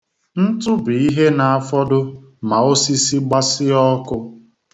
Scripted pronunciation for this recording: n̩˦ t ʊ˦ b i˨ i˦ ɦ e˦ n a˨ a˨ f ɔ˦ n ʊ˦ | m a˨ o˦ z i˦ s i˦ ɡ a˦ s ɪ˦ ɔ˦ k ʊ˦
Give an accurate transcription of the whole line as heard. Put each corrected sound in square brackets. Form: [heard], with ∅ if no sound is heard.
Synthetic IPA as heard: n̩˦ t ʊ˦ b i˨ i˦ ɦ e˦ n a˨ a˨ f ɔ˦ [d] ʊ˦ | m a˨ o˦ [s] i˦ s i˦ [ɡ͡b] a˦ s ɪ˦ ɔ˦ k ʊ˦